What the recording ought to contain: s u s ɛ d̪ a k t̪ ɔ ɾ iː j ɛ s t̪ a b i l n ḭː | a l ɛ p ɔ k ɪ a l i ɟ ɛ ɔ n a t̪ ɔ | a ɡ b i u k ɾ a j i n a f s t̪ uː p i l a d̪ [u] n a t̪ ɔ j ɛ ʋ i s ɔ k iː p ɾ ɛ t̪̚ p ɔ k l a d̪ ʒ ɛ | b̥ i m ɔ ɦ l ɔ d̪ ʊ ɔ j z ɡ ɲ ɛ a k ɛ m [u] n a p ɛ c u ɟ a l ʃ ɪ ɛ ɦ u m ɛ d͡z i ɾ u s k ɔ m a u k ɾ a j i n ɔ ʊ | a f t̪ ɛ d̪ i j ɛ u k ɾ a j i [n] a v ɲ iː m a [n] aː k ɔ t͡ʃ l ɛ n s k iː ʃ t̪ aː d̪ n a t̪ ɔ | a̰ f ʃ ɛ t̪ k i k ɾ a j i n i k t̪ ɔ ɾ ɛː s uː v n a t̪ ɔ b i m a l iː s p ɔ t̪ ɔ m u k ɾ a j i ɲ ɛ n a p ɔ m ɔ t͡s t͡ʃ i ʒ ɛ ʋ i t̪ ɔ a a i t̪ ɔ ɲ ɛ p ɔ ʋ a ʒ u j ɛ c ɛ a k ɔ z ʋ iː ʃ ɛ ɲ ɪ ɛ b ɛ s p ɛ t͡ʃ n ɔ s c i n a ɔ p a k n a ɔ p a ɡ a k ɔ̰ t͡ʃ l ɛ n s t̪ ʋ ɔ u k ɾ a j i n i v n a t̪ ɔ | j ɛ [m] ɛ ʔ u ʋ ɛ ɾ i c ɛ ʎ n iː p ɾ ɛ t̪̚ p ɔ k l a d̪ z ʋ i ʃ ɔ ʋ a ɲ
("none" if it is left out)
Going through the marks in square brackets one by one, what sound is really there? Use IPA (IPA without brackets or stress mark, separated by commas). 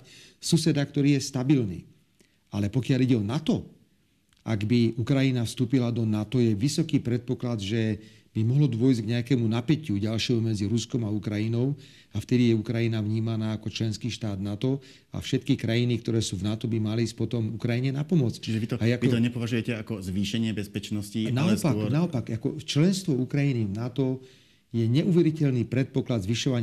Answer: ɔ, u, n, n, ɲ